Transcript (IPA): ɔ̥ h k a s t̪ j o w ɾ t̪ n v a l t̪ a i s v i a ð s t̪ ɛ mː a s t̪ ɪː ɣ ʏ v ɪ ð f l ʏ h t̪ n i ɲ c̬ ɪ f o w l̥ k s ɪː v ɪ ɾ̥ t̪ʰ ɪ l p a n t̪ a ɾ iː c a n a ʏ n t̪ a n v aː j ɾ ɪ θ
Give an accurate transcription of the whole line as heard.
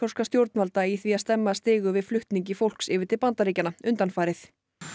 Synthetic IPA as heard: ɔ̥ s k a s t̪ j o w ɾ t̪ n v a l t̪ a i θ v i a ð s t̪ ɛ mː a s t̪ ɪː ɣ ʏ v ɪ ð f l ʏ h t̪ n i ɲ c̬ ɪ f o w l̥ k s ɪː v ɪ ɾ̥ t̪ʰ ɪ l p a n t̪ a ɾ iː c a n a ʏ n t̪ a n f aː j ɾ ɪ θ